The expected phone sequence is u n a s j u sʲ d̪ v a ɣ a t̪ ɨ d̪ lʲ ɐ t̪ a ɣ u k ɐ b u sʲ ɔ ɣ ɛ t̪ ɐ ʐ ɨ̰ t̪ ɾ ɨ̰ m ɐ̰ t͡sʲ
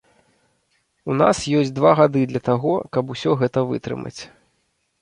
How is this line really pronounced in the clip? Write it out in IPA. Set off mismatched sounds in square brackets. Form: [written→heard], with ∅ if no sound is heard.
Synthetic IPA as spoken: u n a s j [u→ɔ] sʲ d̪ v a ɣ a [t̪→d̪] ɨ d̪ lʲ ɐ t̪ a ɣ [u→ɔ] k ɐ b u sʲ ɔ ɣ ɛ t̪ ɐ [ʐ→v] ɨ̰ t̪ ɾ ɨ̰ m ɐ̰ t͡sʲ